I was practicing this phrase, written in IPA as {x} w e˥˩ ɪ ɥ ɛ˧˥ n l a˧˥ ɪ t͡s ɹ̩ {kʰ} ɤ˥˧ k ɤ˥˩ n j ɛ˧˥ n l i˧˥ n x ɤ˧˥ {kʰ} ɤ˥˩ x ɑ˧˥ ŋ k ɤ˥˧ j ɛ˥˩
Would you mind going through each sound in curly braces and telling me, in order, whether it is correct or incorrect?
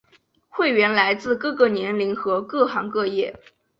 correct, incorrect: k, incorrect: k

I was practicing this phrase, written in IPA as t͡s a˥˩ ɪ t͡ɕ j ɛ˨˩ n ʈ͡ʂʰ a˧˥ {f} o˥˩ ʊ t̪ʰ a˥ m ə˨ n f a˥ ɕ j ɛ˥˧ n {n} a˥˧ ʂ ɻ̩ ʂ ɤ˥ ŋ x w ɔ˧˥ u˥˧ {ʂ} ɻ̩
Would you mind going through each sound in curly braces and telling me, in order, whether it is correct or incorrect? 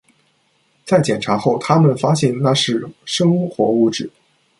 incorrect: x, correct, incorrect: ʈ͡ʂ

